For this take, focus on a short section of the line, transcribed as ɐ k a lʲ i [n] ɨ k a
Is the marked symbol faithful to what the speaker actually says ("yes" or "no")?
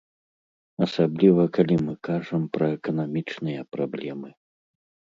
no